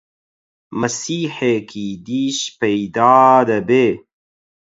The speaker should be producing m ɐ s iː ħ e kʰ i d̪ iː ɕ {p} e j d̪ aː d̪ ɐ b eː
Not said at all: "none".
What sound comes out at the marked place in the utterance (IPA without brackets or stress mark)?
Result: p